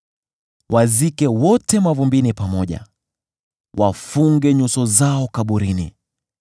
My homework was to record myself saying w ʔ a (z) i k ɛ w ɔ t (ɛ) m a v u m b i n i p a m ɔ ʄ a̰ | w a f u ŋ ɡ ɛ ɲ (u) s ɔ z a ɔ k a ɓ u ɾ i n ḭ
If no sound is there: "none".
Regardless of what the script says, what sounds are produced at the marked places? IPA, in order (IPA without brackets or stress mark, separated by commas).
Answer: z, ɛ, u